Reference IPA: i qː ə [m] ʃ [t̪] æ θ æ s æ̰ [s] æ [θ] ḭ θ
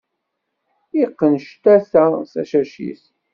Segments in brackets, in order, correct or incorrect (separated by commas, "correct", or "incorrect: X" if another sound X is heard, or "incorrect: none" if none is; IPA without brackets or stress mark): incorrect: n, correct, incorrect: ʃ, incorrect: ʃ